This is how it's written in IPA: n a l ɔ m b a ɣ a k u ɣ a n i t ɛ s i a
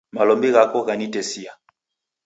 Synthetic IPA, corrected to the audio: m a l ɔ m b i ɣ a k ɔ ɣ a n i t ɛ s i a